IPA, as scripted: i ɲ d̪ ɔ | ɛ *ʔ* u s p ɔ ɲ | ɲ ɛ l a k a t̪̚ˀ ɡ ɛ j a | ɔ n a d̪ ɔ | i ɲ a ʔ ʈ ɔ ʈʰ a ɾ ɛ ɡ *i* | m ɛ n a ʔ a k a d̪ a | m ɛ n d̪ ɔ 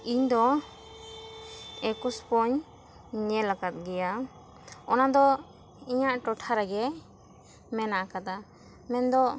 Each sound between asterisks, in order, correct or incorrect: incorrect: k, incorrect: ɛ

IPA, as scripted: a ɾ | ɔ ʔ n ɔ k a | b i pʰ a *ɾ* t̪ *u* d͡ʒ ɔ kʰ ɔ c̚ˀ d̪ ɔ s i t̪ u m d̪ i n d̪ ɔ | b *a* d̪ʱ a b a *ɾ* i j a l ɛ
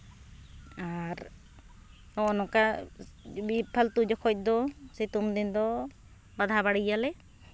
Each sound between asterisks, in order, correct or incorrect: incorrect: l, correct, correct, incorrect: ɽ

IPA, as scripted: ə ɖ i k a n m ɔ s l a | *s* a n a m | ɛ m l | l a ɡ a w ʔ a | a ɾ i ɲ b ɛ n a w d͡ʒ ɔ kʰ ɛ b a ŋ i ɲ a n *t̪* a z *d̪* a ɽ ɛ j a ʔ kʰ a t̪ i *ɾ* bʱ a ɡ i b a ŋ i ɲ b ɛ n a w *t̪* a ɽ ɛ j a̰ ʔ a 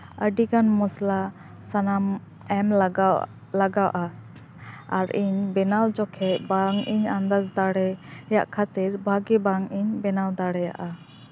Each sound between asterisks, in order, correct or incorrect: correct, incorrect: d̪, correct, correct, incorrect: d̪

